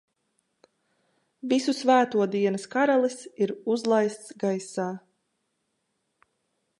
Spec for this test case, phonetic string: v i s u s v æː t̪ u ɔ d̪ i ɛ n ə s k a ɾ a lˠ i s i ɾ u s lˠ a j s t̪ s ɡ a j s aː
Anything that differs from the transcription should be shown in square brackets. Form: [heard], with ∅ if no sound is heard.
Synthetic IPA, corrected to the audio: v i s u s v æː t̪ u ɔ d̪ i ɛ n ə s k a ɾ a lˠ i s i ɾ u [z] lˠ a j s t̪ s ɡ a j s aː